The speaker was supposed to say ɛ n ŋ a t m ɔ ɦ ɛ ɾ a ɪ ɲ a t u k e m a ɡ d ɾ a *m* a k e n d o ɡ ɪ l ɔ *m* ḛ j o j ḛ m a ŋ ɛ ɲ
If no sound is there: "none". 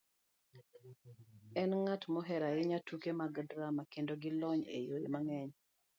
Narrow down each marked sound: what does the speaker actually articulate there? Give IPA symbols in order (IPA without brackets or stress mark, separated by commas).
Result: m, ɲ